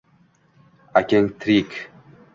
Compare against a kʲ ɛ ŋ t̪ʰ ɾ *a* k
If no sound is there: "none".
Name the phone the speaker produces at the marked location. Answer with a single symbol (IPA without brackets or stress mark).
i